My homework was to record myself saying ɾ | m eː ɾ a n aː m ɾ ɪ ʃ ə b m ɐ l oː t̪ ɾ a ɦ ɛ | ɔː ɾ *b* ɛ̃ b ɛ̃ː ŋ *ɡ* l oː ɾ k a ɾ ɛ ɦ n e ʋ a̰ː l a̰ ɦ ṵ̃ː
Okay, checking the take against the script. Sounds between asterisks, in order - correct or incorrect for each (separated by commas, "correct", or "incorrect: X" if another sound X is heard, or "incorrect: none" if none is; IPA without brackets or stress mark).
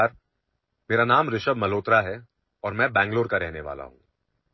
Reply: incorrect: m, correct